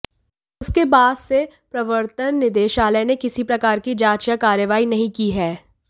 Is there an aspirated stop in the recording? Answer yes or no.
no